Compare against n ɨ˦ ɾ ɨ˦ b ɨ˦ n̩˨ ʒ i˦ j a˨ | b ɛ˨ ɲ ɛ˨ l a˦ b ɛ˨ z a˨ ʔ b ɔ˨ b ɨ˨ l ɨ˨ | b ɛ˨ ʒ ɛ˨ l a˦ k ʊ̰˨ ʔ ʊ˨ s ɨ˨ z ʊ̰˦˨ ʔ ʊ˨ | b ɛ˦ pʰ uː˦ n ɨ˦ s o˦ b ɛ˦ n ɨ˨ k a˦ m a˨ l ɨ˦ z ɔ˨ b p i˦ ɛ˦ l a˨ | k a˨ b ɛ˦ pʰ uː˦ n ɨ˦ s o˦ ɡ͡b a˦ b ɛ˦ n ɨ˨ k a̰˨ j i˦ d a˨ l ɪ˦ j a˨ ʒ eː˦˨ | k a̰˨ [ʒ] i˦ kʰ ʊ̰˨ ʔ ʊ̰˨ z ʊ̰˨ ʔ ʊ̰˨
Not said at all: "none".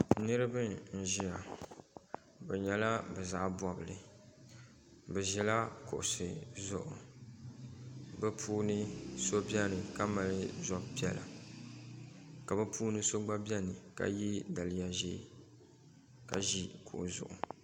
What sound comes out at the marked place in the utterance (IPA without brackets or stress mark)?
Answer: ʒ